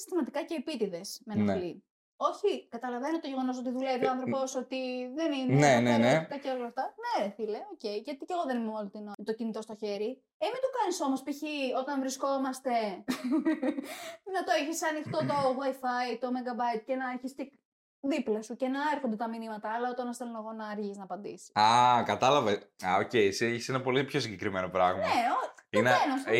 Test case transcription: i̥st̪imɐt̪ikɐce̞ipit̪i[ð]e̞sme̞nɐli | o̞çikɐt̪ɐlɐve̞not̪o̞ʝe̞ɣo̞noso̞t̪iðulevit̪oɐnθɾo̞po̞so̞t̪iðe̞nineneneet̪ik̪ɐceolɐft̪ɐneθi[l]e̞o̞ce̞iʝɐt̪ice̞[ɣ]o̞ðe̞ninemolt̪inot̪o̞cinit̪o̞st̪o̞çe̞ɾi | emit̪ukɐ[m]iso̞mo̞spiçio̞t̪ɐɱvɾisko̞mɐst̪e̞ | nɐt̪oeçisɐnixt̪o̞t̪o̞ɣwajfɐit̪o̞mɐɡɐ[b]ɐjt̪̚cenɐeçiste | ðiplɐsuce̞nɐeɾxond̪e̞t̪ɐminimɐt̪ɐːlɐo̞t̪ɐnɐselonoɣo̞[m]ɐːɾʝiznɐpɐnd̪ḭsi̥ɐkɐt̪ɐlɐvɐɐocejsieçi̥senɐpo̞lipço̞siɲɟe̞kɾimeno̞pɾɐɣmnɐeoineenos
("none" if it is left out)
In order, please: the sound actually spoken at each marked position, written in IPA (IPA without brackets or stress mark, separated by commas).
ð, l, ɣ, n, b, n